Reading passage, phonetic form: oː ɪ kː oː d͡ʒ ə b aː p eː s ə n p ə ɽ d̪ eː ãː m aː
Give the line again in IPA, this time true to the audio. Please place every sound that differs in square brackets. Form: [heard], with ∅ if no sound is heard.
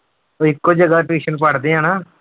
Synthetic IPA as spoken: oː ɪ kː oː d͡ʒ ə [ɡ] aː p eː [ʃ] ə n p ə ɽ d̪ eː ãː [n] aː

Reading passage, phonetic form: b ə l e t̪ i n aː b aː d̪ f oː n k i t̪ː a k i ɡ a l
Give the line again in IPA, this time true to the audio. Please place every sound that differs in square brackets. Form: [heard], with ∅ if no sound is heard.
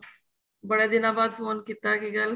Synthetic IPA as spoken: b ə [ɽ] e [d̪] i n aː b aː d̪ f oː n k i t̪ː a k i ɡ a l

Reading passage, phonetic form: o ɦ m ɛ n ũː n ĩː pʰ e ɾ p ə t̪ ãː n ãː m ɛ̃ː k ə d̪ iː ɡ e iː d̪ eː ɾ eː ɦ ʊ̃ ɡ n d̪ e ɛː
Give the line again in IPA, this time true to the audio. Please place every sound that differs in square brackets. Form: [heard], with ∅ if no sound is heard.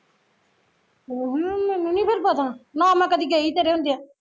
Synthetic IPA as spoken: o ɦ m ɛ n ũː n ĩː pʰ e ɾ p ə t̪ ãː n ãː m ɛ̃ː k ə d̪ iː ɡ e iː [t̪] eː ɾ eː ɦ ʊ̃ [∅] n d̪ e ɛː

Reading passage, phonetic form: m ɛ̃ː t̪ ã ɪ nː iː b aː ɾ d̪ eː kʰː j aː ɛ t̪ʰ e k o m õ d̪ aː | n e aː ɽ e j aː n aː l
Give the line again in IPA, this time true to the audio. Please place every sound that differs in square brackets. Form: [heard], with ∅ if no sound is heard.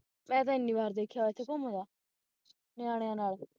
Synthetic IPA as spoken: m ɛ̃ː t̪ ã ɪ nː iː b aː ɾ d̪ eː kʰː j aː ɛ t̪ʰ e k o m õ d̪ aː | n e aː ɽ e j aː n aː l

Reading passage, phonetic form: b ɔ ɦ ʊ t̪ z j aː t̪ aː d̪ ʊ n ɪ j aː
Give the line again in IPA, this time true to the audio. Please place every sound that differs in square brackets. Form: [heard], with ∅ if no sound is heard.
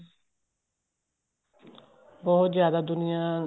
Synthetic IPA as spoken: b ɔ ɦ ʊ t̪ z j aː [d̪] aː d̪ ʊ n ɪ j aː

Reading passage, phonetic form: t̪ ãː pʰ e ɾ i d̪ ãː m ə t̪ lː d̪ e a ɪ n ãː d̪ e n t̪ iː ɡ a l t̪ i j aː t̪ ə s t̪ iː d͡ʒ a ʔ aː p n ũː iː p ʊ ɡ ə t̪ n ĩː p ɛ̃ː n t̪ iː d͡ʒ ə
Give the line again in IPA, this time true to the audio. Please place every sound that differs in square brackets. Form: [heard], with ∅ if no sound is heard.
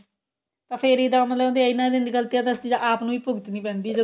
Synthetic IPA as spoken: t̪ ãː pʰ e ɾ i d̪ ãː m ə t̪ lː d̪ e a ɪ n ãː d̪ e n [d̪] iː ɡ [ə] l t̪ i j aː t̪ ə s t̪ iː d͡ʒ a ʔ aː p n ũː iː p ʊ ɡ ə t̪ n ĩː p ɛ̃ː n [d̪] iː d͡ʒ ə

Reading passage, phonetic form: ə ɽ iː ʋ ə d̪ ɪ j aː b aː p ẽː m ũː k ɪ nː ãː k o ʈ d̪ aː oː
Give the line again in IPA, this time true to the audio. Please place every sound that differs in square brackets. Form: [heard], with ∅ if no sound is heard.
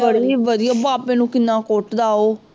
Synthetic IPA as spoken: ə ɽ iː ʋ ə d̪ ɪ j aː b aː p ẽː [n] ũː k ɪ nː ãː k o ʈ d̪ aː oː

